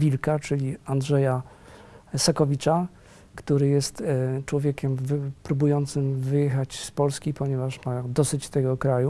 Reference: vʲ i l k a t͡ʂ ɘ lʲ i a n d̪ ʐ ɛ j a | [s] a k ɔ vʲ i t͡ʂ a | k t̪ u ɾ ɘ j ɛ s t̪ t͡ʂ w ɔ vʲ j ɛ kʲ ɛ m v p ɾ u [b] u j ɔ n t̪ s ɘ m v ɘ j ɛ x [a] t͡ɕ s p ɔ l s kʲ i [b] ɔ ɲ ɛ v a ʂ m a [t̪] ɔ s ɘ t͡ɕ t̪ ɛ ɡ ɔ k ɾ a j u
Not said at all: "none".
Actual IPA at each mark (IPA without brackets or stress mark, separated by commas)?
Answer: s, b, a, p, d̪